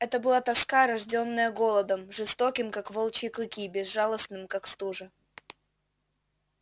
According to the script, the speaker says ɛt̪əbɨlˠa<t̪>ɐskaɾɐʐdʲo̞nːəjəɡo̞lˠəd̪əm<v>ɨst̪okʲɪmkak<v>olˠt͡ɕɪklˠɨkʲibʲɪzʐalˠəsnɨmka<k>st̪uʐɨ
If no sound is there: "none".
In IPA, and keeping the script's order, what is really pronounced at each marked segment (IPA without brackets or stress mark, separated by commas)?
t̪, ʐ, v, k